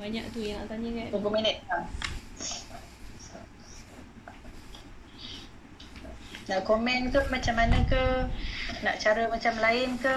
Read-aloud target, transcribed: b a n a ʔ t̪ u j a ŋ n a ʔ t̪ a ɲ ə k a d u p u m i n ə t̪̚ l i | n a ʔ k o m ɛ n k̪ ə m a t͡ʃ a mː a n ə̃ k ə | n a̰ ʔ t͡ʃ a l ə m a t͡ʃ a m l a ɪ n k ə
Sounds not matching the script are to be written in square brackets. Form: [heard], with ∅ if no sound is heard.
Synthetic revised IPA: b a [ɲ] a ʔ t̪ u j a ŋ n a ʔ t̪ a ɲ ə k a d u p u m i n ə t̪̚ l [a] | n a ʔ k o m ɛ n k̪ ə m a t͡ʃ a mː a n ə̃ k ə | n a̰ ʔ t͡ʃ a [ɾ] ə m a t͡ʃ a m l a ɪ n k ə